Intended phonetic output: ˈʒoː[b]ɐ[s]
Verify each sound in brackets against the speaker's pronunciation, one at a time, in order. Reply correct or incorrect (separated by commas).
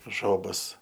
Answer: correct, correct